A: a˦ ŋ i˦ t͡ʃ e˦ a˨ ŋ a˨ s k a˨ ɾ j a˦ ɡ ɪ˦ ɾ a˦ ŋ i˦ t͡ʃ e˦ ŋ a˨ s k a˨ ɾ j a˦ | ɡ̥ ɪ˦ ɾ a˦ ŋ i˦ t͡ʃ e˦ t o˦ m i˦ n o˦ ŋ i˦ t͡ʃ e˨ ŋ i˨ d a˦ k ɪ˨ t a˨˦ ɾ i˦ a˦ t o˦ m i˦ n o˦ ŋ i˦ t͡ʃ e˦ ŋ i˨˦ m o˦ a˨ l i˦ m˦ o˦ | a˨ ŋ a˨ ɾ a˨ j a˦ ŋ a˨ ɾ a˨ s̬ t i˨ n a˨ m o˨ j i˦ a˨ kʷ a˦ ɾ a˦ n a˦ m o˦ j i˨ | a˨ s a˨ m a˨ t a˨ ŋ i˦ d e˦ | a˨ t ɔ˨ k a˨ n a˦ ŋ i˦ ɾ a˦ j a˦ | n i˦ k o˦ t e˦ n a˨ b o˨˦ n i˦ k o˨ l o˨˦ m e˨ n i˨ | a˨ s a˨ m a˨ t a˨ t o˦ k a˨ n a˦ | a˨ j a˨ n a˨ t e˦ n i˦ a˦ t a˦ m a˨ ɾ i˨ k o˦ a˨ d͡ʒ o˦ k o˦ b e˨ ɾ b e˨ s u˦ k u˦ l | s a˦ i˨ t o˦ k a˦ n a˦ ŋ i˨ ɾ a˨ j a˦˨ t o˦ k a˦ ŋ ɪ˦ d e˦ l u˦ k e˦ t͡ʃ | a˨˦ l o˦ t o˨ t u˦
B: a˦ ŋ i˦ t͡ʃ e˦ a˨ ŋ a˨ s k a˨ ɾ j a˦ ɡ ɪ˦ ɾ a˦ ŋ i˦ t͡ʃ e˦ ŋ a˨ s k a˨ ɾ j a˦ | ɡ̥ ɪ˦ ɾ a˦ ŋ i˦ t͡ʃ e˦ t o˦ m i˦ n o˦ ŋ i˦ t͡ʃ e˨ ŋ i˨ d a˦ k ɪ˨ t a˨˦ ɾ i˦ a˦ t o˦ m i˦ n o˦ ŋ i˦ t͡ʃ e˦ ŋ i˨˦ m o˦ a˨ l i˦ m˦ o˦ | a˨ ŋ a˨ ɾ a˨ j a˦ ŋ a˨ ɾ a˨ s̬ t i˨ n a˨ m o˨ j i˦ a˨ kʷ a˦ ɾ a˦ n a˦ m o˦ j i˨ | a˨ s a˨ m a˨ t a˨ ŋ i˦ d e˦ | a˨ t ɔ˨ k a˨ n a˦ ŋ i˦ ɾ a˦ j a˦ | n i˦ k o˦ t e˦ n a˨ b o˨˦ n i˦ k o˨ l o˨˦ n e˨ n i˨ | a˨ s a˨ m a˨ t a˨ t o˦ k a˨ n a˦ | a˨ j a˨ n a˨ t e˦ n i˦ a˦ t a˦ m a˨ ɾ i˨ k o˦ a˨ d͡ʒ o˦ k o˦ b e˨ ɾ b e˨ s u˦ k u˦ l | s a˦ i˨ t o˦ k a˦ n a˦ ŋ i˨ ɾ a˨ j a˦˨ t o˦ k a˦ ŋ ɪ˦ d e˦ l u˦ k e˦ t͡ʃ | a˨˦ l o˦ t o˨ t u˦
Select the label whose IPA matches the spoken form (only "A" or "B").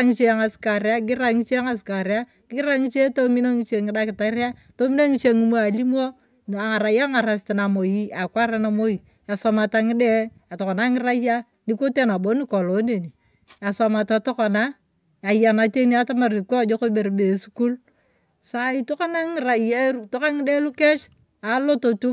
B